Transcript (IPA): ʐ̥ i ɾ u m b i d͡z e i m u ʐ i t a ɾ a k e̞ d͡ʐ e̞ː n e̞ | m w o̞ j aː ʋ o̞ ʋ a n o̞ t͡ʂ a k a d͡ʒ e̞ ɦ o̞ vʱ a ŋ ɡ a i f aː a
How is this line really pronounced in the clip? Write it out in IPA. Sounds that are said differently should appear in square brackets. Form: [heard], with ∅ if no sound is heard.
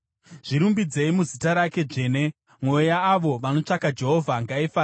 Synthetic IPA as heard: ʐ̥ i ɾ u m b i d͡z e i m u [z] i t a ɾ a k e̞ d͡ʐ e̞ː n e̞ | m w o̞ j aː ʋ o̞ ʋ a n o̞ t͡ʂ a k a d͡ʒ e̞ ɦ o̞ vʱ a ŋ ɡ a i f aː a